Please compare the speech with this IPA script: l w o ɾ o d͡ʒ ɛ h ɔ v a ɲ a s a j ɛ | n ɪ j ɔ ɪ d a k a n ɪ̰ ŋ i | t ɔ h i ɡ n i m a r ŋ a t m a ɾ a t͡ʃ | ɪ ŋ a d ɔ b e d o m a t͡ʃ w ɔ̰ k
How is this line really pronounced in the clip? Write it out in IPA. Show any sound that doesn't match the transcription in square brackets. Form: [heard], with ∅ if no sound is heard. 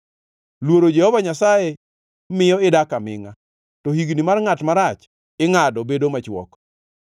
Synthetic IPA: l w o ɾ o d͡ʒ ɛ h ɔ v a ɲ a s a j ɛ | [m] ɪ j ɔ ɪ d a k a [m] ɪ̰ ŋ [a] | t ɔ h i ɡ n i m a r ŋ a t m a ɾ a t͡ʃ | ɪ ŋ a d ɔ b e d o m a t͡ʃ w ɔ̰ k